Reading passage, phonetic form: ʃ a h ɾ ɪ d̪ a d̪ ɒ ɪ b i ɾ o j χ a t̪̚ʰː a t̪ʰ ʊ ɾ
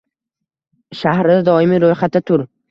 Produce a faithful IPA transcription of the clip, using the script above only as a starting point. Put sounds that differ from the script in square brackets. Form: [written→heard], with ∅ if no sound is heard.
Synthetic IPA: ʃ a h ɾ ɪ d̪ a d̪ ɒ ɪ [b→m] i ɾ o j χ a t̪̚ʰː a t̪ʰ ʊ ɾ